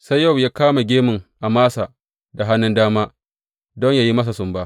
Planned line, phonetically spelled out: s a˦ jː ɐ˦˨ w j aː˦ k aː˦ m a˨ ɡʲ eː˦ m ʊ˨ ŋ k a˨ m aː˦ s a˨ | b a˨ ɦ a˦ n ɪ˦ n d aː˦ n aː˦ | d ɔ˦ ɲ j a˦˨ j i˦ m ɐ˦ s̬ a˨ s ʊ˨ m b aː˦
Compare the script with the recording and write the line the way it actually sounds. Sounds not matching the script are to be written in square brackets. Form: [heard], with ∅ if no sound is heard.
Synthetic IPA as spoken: s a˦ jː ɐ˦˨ w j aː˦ k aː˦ m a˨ ɡʲ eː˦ m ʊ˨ ŋ [ʔ] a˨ m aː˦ s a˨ | [d] a˨ ɦ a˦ n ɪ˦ n d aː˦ [m] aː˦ | d ɔ˦ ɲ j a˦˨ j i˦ m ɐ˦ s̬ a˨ s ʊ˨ m b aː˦

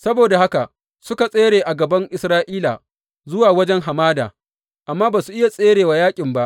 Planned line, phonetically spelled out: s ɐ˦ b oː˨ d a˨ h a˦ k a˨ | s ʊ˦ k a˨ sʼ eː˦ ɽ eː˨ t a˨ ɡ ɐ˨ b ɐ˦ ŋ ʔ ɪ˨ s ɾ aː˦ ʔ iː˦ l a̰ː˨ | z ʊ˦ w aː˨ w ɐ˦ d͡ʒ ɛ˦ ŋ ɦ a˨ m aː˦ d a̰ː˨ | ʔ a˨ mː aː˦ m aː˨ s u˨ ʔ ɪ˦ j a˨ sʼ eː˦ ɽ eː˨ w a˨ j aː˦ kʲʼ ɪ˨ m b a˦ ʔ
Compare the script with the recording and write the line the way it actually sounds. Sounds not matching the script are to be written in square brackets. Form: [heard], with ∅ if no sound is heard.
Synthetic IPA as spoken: s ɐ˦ b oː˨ d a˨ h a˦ k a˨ | s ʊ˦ k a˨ sʼ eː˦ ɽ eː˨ [ʔ] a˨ ɡ ɐ˨ b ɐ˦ ŋ ʔ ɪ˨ s ɾ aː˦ ʔ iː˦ l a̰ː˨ | z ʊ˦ w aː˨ w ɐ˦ d͡ʒ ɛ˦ ŋ ɦ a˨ m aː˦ d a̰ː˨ | ʔ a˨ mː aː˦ [b] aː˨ s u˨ ʔ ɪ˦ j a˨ sʼ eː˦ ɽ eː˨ w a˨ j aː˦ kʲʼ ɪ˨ m b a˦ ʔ

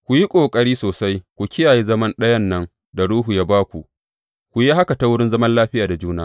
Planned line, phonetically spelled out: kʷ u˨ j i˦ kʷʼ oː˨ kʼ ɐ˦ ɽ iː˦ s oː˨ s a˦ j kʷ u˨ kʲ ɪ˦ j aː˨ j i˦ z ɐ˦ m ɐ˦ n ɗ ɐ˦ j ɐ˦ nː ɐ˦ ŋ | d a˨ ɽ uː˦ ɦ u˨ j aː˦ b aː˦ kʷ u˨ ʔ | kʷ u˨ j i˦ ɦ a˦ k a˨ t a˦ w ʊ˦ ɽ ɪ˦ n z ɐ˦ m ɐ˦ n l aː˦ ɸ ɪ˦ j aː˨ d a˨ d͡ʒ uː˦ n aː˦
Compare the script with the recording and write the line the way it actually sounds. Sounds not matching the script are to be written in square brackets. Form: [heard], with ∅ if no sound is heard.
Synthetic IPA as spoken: kʷ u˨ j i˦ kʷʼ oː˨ kʼ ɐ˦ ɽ iː˦ s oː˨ s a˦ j kʷ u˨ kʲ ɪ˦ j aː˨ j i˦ z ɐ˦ m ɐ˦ n ɗ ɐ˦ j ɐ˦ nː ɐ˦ ŋ | d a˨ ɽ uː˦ ɦ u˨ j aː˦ b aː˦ kʷ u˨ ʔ | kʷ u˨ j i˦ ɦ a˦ k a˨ t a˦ w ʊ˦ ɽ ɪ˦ n z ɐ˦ m ɐ˦ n l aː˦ ɸ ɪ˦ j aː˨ d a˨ d͡ʒ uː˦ n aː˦

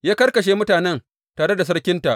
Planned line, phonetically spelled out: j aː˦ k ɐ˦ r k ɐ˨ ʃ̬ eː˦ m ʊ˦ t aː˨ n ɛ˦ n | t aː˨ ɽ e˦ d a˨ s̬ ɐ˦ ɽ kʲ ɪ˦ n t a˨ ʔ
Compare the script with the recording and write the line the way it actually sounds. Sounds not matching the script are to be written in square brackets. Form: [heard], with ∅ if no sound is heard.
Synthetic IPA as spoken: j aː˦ k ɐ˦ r k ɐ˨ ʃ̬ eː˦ m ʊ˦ t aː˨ n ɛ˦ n | t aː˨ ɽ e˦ d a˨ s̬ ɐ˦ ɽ kʲ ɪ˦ n t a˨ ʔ

